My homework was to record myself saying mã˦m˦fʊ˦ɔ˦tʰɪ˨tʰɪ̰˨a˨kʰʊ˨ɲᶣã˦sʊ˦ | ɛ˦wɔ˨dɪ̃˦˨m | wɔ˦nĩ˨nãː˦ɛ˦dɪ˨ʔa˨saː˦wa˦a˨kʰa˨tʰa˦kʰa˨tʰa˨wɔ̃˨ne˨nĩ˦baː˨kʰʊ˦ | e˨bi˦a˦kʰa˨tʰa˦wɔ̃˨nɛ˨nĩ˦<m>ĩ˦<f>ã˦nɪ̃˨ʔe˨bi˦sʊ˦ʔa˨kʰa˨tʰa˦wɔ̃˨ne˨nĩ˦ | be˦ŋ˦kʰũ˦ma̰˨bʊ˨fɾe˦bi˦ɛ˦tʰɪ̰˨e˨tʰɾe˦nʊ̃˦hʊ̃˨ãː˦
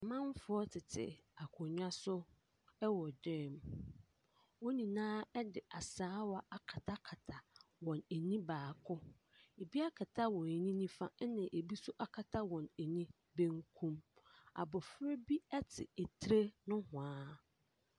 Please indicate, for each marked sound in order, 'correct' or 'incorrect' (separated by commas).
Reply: incorrect, correct